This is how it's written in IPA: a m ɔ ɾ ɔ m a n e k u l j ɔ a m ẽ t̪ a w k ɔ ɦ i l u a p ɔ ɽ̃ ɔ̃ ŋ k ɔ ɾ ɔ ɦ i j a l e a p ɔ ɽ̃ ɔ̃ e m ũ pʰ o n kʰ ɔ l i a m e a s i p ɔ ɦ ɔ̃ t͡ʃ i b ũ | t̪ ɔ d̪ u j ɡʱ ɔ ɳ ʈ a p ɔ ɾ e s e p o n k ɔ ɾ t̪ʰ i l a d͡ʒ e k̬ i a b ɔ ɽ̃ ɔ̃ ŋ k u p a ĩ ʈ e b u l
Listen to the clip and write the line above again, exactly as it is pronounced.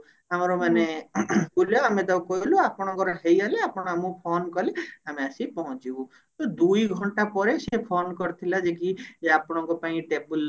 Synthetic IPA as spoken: a m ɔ ɾ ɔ m a n e k u l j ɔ a m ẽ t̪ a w k ɔ ɦ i l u a p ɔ ɽ̃ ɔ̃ ŋ k ɔ ɾ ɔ ɦ e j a l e a p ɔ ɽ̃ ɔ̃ a m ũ pʰ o n k ɔ l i a m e a s i p ɔ ɦ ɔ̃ t͡ʃ i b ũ | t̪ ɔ d̪ u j ɡʱ ɔ ɳ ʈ a p ɔ ɾ e s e pʰ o n k ɔ ɾ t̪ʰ i l a d͡ʒ e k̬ i a p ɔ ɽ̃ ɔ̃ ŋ k ɔ p a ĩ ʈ e b u l